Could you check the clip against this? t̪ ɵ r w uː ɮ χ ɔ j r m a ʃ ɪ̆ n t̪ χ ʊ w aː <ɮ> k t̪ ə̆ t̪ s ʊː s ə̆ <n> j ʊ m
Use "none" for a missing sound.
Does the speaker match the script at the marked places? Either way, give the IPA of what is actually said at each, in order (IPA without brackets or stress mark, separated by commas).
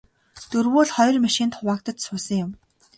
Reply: none, ŋ